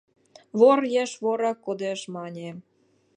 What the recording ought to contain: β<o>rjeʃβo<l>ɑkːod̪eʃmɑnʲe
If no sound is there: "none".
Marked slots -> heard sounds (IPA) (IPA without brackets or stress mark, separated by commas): o, ɾ